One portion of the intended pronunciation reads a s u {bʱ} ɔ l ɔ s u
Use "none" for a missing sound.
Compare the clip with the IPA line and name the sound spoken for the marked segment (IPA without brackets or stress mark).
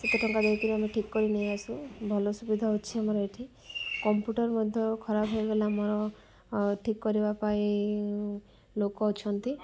bʱ